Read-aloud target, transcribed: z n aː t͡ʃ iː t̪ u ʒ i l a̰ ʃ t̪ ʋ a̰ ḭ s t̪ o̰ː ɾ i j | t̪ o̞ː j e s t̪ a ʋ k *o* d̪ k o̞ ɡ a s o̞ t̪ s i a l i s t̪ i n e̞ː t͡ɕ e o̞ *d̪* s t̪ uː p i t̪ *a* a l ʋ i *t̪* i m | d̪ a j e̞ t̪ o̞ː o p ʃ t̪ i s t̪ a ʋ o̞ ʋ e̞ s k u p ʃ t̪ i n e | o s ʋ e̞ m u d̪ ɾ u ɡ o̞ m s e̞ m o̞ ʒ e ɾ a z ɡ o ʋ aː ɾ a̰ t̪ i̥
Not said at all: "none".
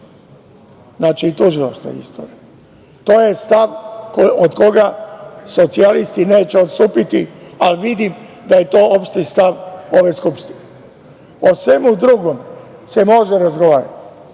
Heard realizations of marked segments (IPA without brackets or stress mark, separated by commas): o, t̪, i, d̪